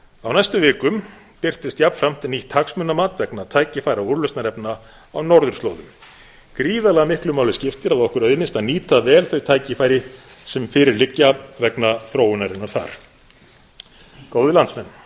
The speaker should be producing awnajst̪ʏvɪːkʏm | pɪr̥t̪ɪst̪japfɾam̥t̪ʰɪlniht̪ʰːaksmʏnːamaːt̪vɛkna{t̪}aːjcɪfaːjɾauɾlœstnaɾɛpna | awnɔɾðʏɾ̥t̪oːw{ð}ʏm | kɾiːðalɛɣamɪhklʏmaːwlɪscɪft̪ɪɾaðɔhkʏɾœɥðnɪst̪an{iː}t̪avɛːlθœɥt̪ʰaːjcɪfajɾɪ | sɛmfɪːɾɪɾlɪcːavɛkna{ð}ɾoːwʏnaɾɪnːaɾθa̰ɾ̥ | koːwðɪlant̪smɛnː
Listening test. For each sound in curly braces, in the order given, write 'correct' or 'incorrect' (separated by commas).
incorrect, correct, correct, incorrect